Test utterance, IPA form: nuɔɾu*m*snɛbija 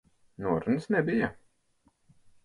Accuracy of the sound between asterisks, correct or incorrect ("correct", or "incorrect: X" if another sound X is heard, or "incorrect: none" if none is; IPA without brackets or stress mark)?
incorrect: n